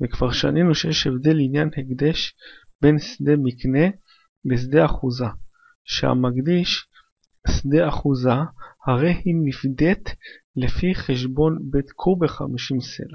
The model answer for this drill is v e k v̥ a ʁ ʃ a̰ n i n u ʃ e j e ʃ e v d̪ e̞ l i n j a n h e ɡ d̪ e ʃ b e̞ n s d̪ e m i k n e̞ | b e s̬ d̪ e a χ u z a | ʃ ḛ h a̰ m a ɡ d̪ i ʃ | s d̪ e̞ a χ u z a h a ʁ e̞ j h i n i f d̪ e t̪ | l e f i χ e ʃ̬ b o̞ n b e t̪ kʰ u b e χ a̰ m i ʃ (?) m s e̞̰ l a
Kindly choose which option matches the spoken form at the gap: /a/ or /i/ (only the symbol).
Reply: i